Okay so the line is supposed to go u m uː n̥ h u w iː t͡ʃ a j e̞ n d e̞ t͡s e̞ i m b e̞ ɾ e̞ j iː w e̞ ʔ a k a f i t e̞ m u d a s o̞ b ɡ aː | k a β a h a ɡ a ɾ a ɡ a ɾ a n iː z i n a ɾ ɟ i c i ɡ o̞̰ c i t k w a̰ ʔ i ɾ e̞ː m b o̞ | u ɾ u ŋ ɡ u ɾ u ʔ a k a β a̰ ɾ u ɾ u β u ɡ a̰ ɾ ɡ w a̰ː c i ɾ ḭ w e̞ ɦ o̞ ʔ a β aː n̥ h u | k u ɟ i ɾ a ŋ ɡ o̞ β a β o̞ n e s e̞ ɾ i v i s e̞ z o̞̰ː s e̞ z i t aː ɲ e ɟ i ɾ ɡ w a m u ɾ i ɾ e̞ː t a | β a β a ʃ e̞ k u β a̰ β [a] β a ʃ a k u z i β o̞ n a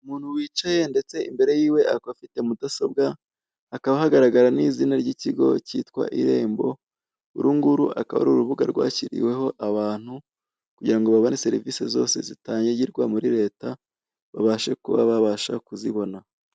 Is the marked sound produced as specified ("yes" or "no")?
yes